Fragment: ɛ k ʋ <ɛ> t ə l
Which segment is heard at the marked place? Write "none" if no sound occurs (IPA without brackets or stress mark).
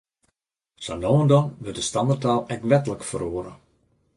ɛ